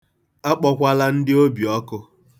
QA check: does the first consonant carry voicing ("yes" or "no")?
no